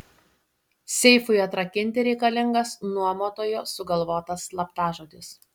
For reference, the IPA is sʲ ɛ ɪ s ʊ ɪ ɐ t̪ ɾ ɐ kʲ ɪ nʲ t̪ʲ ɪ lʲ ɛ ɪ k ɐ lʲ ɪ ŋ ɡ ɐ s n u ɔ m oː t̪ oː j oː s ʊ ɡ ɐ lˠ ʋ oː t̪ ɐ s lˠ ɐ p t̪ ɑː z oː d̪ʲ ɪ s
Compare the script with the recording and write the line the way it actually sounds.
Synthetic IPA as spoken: sʲ ɛ ɪ f ʊ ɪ ɐ t̪ ɾ ɐ kʲ ɪ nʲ t̪ʲ ɪ ɾʲ ɛ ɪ k ɐ lʲ ɪ ŋ ɡ ɐ s n u ɔ m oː t̪ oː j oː s ʊ ɡ ɐ lˠ ʋ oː t̪ ɐ s lˠ ɐ p t̪ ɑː ʒ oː d̪ʲ ɪ s